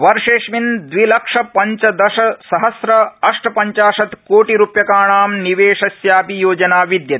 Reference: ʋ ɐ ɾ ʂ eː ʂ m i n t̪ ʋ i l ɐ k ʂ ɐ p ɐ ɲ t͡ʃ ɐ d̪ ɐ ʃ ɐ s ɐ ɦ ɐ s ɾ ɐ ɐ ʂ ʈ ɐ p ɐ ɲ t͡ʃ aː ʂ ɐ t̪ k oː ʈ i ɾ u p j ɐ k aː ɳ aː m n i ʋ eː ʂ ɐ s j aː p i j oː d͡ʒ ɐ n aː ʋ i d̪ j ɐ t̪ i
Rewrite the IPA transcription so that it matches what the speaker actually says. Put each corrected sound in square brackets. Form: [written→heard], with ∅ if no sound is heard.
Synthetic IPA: ʋ ɐ ɾ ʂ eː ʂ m i n [t̪→d̪] ʋ i l ɐ k ʂ ɐ p ɐ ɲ t͡ʃ ɐ d̪ ɐ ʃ ɐ s ɐ ɦ ɐ s ɾ ɐ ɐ ʂ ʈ ɐ p ɐ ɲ t͡ʃ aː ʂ ɐ t̪ k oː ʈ i ɾ u p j ɐ k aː ɳ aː m n i ʋ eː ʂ ɐ s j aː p i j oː d͡ʒ ɐ n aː ʋ i d̪ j ɐ t̪ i